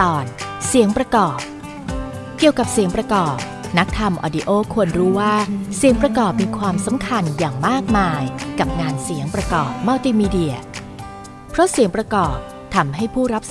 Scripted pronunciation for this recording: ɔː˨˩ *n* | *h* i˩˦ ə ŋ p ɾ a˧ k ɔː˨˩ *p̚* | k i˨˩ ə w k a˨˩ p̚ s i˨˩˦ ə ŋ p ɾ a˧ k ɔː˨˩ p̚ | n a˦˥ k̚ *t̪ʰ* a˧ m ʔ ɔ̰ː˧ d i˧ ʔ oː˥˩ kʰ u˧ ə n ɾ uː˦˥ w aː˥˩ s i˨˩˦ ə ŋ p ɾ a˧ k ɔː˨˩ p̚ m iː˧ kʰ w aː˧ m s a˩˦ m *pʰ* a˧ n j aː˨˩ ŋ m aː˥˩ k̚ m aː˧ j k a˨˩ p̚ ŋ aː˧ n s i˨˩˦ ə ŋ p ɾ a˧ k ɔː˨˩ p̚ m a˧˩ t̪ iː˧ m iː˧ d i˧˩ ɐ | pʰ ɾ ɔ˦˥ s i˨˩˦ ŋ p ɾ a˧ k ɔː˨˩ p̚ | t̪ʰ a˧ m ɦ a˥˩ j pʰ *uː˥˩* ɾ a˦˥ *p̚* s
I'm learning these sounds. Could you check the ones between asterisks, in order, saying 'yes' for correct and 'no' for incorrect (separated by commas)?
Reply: yes, no, yes, yes, no, yes, yes